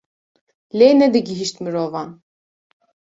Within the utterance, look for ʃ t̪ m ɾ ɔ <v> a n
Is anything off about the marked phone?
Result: no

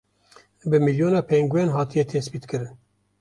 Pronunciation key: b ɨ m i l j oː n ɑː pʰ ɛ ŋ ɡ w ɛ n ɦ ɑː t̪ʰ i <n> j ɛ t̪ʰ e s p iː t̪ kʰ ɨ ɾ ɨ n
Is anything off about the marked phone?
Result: yes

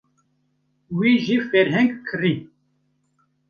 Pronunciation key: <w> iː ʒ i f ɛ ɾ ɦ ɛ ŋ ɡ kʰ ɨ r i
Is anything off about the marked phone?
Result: no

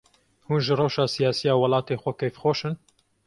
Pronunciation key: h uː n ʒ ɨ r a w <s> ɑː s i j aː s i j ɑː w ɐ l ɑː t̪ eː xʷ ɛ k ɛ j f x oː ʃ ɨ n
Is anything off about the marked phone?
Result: yes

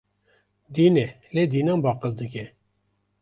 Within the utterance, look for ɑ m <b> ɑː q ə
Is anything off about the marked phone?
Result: no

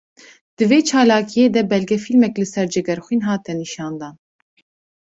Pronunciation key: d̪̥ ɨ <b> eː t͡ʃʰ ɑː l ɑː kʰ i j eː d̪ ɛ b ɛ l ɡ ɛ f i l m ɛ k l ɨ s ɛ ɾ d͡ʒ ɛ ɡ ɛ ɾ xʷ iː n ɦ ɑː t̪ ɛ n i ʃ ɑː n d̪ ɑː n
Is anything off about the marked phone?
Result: yes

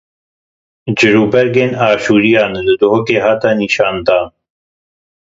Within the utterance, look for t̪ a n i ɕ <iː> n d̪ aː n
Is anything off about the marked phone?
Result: yes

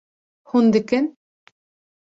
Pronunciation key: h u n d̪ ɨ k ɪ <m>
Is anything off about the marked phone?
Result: yes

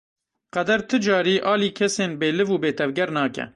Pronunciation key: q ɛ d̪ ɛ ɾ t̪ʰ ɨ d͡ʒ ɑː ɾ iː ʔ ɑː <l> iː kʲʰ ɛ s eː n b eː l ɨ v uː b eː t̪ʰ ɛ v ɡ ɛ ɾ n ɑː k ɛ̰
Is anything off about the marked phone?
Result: no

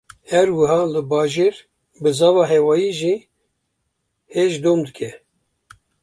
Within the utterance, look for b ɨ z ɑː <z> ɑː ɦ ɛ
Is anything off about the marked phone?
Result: yes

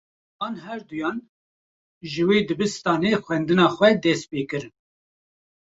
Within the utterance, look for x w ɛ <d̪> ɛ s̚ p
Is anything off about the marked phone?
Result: no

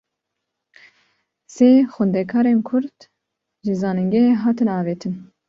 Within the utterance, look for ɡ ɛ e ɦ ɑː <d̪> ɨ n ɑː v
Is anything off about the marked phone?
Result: yes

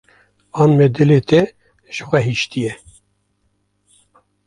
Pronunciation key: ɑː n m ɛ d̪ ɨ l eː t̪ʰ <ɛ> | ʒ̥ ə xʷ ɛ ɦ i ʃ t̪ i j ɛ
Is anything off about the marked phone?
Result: no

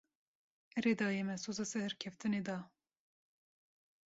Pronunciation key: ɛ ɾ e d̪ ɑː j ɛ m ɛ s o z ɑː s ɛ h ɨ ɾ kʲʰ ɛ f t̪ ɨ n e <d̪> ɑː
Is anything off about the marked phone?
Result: no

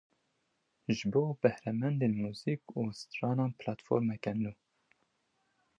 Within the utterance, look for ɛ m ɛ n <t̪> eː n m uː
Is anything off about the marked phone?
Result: yes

